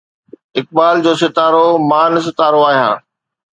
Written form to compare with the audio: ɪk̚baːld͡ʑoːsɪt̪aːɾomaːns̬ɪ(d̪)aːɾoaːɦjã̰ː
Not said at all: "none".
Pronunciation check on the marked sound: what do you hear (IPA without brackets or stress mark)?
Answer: t̪